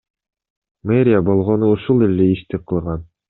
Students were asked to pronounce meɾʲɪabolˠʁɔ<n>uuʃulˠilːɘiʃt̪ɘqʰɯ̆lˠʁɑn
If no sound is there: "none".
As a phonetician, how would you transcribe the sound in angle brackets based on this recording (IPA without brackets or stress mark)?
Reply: n